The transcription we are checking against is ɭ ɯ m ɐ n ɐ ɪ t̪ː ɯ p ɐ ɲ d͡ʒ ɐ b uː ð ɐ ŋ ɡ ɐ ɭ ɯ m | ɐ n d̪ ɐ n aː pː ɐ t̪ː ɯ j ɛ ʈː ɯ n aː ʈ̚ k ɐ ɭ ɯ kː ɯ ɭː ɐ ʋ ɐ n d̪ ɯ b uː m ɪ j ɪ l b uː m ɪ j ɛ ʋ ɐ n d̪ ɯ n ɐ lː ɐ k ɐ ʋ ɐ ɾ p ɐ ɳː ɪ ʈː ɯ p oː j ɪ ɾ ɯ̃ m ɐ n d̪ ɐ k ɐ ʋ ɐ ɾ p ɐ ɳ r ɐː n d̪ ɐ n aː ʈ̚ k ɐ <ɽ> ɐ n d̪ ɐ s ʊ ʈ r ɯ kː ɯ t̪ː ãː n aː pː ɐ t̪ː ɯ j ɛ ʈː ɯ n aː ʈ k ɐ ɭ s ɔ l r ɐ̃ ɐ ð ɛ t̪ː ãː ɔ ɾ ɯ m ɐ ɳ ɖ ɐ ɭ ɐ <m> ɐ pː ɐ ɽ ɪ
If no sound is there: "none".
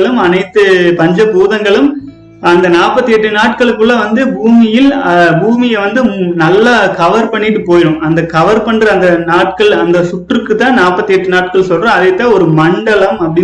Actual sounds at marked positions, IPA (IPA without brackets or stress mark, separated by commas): ɭ, m